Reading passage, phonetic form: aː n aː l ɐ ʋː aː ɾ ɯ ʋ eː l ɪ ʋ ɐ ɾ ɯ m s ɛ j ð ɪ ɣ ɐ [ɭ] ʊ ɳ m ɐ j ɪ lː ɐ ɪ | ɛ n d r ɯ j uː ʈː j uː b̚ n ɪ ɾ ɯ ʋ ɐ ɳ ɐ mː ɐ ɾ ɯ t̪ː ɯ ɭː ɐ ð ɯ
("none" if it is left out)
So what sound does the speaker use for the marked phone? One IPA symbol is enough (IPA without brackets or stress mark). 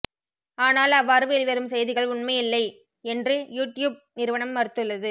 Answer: ɭ